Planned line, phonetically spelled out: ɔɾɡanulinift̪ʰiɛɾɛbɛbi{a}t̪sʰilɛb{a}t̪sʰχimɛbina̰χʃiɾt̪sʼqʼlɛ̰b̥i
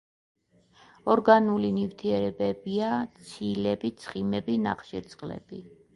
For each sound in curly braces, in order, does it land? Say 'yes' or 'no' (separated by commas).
yes, no